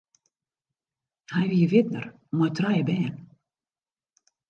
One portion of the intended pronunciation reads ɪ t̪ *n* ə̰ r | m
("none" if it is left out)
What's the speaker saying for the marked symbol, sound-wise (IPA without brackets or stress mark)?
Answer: n